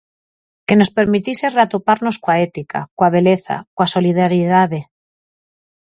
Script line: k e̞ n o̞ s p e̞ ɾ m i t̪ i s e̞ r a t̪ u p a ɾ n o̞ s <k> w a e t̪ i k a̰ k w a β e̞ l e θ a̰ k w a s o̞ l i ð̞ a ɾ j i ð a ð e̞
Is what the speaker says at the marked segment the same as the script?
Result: yes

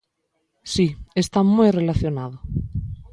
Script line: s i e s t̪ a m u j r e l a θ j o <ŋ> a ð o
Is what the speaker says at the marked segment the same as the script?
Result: no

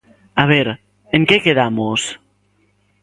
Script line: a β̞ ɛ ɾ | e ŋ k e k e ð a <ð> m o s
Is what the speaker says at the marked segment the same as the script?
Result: no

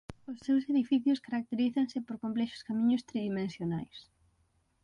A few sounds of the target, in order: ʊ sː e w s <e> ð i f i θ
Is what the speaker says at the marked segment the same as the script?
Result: yes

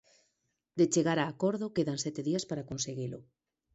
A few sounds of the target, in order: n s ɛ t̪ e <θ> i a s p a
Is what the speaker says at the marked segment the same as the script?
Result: no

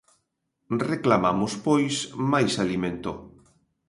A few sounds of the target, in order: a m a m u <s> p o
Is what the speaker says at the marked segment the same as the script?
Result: yes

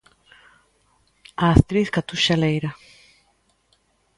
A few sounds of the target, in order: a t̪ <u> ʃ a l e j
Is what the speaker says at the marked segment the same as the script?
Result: yes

